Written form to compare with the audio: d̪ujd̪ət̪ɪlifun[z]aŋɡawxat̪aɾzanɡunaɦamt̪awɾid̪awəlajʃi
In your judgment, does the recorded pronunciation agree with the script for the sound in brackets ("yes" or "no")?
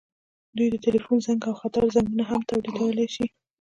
yes